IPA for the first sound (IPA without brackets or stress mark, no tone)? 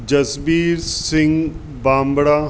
d͡ʒ